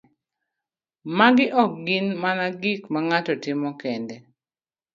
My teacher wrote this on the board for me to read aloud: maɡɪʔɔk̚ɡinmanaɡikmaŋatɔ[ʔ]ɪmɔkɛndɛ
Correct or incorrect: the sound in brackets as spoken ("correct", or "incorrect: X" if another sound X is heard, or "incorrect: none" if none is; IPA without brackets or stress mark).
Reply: incorrect: t